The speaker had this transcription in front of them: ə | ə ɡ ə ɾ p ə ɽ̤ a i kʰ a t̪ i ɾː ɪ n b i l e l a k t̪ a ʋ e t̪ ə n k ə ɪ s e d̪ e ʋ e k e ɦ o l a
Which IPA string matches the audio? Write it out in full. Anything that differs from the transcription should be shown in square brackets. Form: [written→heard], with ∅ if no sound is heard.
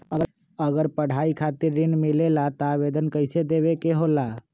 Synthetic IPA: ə | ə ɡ ə ɾ p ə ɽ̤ a i kʰ a t̪ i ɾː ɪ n [b→m] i l e l a [k→∅] t̪ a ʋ e [t̪→d̪] ə n k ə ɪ s e d̪ e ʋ e k e ɦ o l a